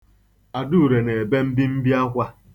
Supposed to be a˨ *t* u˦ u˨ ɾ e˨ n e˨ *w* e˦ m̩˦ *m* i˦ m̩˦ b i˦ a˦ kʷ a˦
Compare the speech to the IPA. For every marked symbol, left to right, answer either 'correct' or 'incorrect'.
incorrect, incorrect, incorrect

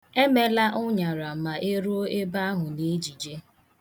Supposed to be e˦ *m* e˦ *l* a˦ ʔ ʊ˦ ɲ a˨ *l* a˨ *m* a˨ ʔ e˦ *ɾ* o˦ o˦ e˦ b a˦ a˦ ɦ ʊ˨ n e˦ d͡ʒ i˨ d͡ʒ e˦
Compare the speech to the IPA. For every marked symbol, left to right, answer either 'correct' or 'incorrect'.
correct, correct, incorrect, correct, correct

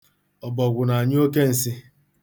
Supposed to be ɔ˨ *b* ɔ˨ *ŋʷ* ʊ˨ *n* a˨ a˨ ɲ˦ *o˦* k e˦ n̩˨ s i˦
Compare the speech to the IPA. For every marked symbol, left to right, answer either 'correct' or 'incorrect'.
correct, incorrect, correct, correct

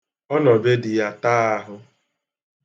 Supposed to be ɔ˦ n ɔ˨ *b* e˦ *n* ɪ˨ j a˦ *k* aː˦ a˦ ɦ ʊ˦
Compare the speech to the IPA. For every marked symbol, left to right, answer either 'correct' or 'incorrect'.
correct, incorrect, incorrect

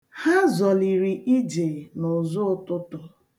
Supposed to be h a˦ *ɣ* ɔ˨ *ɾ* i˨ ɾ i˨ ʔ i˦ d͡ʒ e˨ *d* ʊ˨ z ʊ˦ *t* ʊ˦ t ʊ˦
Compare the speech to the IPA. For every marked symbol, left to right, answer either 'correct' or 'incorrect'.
incorrect, incorrect, incorrect, correct

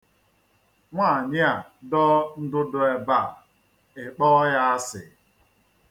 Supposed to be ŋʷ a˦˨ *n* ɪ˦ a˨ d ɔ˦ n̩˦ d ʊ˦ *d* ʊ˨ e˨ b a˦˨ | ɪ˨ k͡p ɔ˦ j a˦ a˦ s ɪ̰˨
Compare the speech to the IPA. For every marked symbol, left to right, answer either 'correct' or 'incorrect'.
incorrect, correct

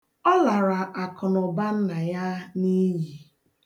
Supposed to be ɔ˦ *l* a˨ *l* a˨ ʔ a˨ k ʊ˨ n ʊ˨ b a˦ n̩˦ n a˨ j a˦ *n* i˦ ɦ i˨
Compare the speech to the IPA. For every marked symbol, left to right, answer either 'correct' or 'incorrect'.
correct, incorrect, correct

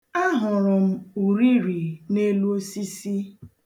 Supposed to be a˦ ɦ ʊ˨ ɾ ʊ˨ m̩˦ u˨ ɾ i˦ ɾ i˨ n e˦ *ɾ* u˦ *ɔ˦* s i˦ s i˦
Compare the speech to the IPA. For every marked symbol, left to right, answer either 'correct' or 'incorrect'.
incorrect, incorrect

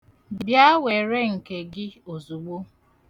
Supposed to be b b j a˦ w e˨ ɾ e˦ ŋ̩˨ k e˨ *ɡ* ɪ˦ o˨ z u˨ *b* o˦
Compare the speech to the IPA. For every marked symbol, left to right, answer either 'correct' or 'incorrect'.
correct, incorrect

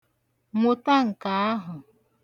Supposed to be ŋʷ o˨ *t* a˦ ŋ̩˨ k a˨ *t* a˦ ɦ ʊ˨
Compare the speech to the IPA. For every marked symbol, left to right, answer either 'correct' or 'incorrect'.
correct, incorrect

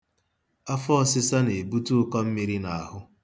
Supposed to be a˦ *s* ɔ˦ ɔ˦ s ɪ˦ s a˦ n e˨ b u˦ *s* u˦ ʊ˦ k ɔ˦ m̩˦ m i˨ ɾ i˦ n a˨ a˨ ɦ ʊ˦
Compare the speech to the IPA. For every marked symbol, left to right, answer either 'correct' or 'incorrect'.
incorrect, incorrect

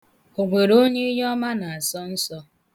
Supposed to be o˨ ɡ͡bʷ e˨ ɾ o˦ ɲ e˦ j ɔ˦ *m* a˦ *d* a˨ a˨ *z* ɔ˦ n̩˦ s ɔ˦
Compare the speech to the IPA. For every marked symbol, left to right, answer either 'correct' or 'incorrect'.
correct, incorrect, incorrect

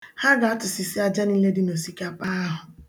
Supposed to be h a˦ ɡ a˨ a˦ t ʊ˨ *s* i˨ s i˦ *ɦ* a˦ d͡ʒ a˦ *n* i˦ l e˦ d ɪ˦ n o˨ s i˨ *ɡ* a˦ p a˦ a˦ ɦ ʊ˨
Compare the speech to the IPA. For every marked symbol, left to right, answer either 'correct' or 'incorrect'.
correct, incorrect, correct, incorrect

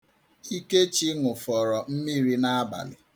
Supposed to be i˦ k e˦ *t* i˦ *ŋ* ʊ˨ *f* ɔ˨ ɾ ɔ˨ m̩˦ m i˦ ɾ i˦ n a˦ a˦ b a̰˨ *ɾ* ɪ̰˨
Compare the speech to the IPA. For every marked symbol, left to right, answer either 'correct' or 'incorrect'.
incorrect, correct, correct, incorrect

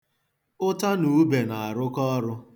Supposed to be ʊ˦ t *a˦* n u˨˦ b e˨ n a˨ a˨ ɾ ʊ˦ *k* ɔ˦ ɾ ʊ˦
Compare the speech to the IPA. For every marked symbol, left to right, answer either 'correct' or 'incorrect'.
correct, correct

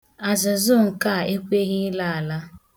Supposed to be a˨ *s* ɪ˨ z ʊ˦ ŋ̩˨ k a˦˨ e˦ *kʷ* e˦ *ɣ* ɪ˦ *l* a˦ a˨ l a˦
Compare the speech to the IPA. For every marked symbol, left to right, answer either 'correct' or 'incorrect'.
incorrect, correct, correct, correct

